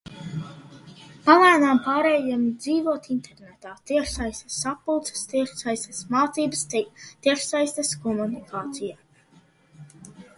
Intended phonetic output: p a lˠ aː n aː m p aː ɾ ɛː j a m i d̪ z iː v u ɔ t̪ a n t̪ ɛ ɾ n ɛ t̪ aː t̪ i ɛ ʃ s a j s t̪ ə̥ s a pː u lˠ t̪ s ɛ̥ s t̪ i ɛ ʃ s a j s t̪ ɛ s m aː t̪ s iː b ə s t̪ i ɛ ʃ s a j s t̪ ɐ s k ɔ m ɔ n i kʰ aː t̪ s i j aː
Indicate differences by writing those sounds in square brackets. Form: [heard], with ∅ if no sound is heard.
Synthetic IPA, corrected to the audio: p a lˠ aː n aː m p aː ɾ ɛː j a m i d̪ z iː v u ɔ t̪ [i] n t̪ ɛ ɾ n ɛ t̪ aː t̪ i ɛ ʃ s a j s t̪ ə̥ s a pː u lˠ t̪ s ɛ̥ s t̪ i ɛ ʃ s a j s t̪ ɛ s m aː t̪ s iː b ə s t̪ i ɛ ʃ s a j s t̪ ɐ s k ɔ m [u] n i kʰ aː t̪ s i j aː